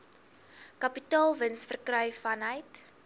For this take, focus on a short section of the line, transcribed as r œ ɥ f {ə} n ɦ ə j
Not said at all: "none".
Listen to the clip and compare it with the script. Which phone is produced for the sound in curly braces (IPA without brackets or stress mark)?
ɐ